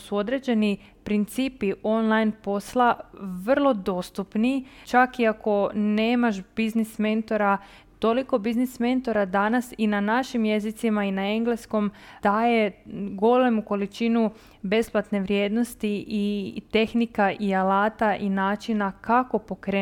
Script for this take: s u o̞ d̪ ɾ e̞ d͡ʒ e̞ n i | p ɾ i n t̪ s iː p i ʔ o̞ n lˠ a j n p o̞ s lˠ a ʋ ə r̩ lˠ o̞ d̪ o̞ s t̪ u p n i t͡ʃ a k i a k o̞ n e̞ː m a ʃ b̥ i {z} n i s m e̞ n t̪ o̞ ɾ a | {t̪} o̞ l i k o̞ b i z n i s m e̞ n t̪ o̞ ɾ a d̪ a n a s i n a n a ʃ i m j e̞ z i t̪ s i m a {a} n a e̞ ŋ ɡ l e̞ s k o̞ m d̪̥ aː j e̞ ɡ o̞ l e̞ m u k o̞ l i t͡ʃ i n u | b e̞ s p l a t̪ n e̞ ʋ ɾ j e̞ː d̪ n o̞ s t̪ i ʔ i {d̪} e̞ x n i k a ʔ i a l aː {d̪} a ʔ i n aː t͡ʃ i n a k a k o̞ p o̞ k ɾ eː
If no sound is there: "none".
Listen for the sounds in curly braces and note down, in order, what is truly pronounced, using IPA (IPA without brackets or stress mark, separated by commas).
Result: z, t̪, i, t̪, t̪